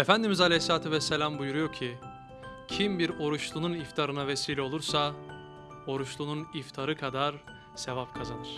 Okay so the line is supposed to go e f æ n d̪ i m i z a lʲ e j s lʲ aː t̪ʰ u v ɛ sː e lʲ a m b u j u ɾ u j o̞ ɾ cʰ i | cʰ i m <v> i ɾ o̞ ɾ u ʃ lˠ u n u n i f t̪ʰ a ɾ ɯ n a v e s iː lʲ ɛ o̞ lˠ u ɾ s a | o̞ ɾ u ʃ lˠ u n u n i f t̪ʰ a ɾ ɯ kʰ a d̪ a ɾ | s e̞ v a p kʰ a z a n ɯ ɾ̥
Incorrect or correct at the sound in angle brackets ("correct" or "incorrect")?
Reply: incorrect